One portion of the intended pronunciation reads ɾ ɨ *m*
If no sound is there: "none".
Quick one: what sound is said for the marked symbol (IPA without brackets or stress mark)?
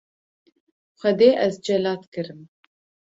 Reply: m